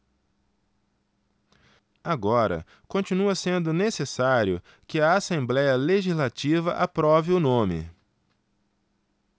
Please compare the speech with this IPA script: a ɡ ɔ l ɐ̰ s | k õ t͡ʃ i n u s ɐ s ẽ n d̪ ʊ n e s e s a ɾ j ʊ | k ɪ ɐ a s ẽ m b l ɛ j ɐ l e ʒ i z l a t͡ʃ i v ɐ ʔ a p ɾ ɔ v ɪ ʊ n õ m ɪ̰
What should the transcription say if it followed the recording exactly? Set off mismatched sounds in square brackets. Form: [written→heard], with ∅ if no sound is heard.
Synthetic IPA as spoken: a ɡ ɔ [l→ɾ] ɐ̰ [s→∅] | k õ t͡ʃ i n u [s→∅] ɐ s ẽ n d̪ ʊ n e s e s a ɾ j ʊ | k ɪ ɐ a s ẽ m b l ɛ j ɐ l e ʒ i z l a t͡ʃ i v ɐ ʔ a p ɾ ɔ v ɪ ʊ n õ m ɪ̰